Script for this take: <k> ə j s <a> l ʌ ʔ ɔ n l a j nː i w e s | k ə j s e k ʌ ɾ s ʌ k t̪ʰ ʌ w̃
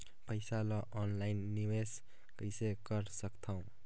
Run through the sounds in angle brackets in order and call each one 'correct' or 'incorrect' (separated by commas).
incorrect, correct